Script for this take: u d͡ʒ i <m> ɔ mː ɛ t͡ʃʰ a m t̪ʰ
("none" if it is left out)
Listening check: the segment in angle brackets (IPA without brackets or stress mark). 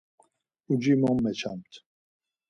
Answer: m